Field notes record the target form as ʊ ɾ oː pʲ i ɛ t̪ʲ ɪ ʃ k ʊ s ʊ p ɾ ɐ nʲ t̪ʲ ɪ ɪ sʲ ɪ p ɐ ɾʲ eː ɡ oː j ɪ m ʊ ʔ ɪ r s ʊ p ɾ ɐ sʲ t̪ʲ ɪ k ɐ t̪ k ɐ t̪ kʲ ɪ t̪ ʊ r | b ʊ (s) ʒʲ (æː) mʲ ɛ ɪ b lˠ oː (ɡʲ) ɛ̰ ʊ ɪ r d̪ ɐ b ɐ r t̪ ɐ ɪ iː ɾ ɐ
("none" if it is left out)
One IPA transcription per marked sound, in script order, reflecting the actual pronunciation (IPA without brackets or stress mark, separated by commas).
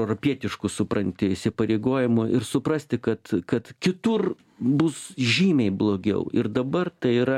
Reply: s, iː, ɡʲ